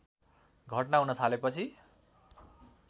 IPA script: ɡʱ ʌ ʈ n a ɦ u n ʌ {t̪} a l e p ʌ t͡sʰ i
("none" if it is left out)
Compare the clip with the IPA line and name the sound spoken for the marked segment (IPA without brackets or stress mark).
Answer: t̪ʰ